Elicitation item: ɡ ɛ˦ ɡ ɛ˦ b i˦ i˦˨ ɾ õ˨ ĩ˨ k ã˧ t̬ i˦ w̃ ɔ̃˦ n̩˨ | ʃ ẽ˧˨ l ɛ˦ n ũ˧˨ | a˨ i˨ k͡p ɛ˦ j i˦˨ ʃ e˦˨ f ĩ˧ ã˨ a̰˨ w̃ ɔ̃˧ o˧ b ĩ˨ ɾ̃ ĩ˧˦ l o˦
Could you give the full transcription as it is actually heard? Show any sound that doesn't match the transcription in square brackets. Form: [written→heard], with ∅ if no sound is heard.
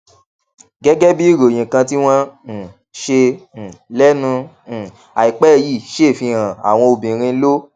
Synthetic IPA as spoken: ɡ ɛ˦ ɡ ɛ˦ b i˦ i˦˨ ɾ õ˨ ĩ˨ k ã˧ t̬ i˦ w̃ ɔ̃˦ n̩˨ | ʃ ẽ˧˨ l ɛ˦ n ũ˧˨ | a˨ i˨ k͡p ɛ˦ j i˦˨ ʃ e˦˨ f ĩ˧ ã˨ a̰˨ w̃ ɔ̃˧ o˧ b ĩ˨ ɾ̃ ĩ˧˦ l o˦